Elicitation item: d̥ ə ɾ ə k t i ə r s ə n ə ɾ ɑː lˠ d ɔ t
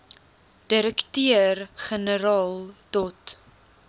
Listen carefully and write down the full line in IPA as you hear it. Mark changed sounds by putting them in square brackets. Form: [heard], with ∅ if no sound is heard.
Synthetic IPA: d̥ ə ɾ ə k t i ə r [χ] ə n ə ɾ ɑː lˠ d ɔ t